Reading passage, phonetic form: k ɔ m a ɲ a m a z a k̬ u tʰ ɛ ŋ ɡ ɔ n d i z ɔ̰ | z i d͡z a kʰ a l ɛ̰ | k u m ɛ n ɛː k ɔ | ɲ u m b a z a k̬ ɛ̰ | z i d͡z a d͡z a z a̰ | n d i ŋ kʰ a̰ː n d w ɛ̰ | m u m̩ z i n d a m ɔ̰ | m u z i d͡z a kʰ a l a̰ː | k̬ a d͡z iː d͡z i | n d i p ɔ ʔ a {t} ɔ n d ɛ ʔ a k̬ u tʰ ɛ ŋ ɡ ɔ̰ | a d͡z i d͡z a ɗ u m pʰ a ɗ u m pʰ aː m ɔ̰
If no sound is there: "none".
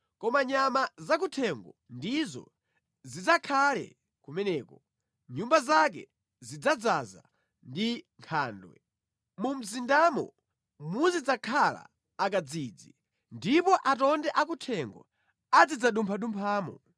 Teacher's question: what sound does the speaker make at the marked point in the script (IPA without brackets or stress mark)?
t